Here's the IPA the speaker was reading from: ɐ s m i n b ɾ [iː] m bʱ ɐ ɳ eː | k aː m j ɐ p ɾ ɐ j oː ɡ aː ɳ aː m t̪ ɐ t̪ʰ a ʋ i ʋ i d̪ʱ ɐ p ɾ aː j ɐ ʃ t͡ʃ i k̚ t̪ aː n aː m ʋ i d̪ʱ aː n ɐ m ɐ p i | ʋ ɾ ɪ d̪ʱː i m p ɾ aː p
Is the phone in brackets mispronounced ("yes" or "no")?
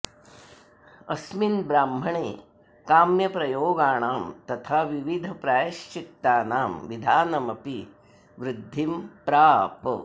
yes